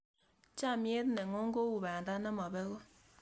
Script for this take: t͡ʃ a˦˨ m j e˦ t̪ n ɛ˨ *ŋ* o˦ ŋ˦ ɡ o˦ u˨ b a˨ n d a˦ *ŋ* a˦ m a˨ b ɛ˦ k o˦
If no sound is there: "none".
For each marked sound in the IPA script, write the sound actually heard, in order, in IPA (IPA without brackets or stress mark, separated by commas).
ŋ, n